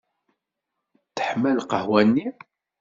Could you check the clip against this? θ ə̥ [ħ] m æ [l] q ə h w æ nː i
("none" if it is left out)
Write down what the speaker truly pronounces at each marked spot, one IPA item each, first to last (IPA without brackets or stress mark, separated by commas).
ħ, l